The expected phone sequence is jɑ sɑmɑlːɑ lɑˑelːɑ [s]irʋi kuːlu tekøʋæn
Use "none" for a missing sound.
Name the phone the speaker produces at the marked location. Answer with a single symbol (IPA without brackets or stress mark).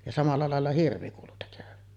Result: h